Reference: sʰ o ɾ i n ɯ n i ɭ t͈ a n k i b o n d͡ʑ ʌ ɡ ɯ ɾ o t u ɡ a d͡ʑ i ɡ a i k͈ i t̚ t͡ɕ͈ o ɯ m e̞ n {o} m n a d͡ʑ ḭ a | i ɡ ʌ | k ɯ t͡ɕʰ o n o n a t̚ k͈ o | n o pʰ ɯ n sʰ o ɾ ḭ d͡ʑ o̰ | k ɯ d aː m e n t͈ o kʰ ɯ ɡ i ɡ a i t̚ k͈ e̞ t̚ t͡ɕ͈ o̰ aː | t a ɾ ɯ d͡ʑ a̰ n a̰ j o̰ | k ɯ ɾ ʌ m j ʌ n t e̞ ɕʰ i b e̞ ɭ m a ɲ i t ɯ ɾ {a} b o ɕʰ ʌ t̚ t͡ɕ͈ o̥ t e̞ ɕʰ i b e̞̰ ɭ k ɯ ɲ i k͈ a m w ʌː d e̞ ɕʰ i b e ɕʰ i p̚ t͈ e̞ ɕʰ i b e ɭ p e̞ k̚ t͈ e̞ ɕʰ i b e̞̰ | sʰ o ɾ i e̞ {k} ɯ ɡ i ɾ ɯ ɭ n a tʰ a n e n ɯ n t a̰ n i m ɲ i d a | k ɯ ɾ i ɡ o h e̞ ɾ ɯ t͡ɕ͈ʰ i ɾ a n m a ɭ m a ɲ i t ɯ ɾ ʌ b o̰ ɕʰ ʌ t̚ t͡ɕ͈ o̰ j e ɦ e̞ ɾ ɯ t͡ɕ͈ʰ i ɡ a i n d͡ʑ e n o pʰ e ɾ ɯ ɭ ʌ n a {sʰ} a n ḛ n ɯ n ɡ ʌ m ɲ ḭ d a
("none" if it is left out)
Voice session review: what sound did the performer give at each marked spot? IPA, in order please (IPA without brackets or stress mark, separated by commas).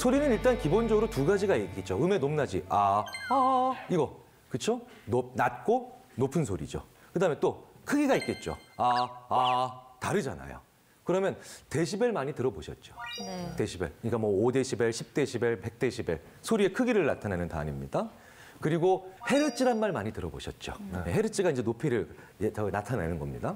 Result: o, ʌ, kʰ, tʰ